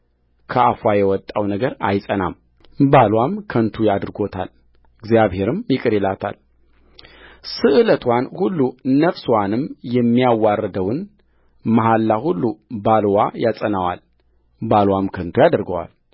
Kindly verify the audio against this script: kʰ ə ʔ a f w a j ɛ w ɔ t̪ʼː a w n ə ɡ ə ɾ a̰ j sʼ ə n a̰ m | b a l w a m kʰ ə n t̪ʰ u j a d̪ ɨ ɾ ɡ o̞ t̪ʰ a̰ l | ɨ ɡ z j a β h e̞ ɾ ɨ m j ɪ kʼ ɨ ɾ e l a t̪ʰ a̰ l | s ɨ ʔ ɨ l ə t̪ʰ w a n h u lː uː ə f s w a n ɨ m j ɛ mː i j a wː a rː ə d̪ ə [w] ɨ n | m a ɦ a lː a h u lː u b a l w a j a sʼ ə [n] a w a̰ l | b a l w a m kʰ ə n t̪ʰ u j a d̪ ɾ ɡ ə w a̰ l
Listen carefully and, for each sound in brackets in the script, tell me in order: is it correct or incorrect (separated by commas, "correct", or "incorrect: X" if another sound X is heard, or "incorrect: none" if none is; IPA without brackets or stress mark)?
correct, correct